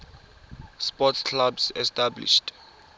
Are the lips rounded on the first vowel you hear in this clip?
yes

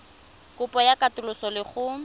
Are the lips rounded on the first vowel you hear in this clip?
yes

